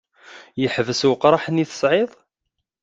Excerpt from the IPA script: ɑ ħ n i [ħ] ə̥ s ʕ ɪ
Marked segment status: incorrect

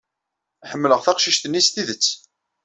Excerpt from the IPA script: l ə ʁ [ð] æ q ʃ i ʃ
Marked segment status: incorrect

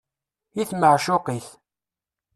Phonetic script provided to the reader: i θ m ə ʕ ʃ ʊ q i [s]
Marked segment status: incorrect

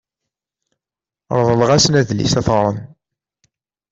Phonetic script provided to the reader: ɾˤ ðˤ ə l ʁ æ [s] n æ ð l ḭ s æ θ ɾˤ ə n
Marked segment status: correct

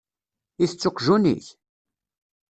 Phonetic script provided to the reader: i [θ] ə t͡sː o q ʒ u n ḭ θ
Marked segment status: correct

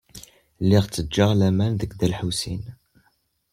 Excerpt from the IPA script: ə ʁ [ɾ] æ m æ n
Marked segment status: incorrect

